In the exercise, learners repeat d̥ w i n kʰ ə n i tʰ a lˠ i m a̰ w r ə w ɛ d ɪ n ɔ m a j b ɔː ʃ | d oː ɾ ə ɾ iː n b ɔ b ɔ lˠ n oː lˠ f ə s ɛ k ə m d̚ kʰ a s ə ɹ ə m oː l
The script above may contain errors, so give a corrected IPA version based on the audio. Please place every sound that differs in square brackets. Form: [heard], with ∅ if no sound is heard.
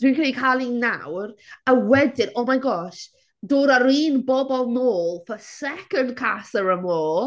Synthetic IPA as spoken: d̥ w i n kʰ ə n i [kʰ] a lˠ i [n] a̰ w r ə w ɛ d ɪ n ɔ m a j [ɡ] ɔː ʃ | d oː ɾ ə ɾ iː n b ɔ b ɔ lˠ n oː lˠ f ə s ɛ k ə [n] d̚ kʰ a s ə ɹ ə m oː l